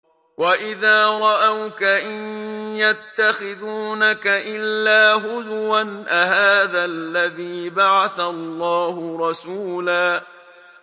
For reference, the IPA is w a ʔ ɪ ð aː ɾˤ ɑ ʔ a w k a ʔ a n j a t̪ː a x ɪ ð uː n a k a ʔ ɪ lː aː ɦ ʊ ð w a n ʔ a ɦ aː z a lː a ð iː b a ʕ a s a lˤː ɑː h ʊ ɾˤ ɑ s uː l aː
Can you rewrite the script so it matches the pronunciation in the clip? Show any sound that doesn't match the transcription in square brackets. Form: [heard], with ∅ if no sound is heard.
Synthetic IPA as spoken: w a ʔ ɪ ð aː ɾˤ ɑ ʔ a w k a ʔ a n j a t̪ː a x ɪ ð uː n a k a ʔ ɪ lː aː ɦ ʊ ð w a n ʔ a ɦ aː [ð] a lː a ð iː b a ʕ a [θ] a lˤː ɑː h ʊ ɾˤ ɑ s uː l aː